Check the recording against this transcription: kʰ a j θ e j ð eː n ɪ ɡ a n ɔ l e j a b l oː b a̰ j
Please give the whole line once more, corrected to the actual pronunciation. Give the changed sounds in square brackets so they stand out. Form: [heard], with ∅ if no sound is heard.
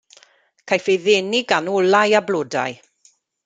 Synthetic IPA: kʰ a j [f] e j ð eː n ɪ ɡ a n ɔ l [a] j a b l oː [d] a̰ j